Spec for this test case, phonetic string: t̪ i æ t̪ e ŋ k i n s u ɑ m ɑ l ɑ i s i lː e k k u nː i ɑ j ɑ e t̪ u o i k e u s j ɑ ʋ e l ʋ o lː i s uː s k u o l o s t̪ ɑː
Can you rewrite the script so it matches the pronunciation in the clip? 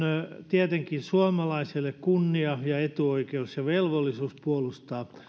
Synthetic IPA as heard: t̪ i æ t̪ e ŋ k i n s u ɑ m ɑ l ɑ i s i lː e k k u nː i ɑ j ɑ e t̪ u o i k e u s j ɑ ʋ e l ʋ o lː i s uː s p u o l u s t̪ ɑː